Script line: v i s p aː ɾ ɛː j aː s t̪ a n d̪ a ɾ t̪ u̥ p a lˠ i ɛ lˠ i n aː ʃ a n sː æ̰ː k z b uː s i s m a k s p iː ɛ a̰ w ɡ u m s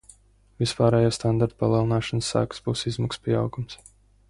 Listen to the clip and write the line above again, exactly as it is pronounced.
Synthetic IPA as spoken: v i s p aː ɾ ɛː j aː s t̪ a n d̪ a ɾ t̪ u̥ p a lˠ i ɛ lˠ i n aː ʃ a n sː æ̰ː k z b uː s i z m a k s p i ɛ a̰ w ɡ u m s